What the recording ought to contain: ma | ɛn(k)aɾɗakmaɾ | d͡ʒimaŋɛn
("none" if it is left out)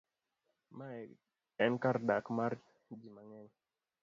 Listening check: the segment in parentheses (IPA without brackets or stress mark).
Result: k